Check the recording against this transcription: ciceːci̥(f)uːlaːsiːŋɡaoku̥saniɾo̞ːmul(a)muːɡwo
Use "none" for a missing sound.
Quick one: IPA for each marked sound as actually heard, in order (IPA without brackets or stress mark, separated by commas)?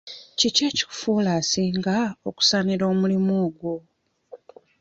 f, i